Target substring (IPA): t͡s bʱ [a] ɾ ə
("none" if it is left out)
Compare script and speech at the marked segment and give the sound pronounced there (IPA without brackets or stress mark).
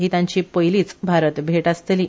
a